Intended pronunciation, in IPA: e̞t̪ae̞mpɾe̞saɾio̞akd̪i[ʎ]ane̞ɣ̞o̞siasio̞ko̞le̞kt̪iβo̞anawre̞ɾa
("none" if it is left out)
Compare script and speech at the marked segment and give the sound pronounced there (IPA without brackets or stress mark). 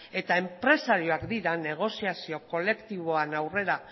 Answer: ɾ